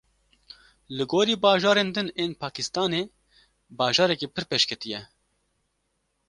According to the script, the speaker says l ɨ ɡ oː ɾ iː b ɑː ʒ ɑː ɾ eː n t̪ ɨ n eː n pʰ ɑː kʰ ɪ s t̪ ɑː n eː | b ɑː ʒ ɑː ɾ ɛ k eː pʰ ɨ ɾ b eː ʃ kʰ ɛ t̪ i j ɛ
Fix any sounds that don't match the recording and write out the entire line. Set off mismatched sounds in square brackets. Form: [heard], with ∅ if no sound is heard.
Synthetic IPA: l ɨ ɡ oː ɾ iː b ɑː ʒ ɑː ɾ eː n [d̪] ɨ n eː n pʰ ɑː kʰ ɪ s t̪ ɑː n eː | b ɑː ʒ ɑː ɾ ɛ k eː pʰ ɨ ɾ [p] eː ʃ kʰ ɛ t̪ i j ɛ